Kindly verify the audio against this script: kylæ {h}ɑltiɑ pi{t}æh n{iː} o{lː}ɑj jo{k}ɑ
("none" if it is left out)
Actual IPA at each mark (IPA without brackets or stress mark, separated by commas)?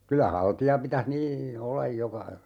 h, t, iː, lː, k